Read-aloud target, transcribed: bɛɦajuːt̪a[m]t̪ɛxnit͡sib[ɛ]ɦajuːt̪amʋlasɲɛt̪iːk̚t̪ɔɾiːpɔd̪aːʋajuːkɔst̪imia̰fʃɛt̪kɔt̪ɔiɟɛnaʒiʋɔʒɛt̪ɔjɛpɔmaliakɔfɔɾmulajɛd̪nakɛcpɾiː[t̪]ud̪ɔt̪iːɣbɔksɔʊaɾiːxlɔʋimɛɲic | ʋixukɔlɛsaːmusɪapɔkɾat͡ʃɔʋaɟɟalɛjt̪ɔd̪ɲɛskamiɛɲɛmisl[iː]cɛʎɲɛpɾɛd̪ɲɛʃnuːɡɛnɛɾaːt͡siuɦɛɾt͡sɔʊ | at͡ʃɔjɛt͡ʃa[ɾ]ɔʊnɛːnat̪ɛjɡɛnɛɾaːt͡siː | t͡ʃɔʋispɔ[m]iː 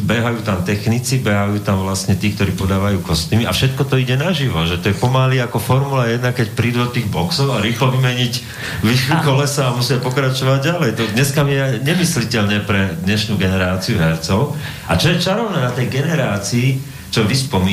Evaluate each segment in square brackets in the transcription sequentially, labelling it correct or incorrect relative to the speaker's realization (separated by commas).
correct, correct, incorrect, incorrect, correct, correct